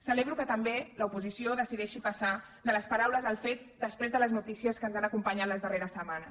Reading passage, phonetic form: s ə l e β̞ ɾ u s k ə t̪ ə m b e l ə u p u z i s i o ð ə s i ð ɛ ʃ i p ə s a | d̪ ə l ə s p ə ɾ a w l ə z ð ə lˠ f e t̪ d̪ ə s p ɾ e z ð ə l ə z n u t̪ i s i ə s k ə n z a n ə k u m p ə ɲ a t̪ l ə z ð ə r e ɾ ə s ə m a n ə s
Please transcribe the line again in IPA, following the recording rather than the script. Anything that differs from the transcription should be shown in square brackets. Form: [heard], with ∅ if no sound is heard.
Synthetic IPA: s ə l e β̞ ɾ u [∅] k ə t̪ ə m b e l ə u p u z i s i o ð ə s i ð ɛ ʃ i p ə s a | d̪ ə l ə s p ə ɾ a w l ə z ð ə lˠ f e t̪ d̪ ə s p ɾ e z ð ə l ə z n u t̪ i s i ə s k ə n z a n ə k u m p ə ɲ a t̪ l ə z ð ə r e ɾ ə s ə m a n ə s